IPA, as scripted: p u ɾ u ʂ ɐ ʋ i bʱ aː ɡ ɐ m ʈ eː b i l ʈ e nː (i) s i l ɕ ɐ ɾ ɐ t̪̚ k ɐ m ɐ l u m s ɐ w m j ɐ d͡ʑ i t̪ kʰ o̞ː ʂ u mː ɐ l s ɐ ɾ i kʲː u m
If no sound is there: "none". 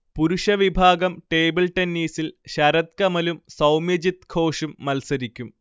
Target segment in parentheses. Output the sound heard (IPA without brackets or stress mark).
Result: iː